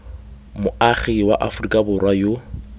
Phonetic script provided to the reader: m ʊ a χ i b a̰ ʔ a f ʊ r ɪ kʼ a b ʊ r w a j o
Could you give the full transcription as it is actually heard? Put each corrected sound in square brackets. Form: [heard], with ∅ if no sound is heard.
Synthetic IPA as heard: m ʊ a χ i [w] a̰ ʔ a f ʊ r [i] kʼ a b ʊ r w a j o